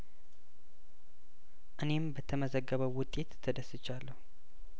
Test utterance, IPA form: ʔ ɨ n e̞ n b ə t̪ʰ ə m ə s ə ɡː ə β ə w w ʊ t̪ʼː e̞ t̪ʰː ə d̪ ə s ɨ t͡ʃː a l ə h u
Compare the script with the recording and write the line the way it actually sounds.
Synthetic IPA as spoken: ʔ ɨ n e̞ m b ə t̪ʰ ə m ə z ə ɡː ə β ə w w ʊ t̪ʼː e̞ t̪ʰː ə d̪ ə s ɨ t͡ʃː a lː ə h u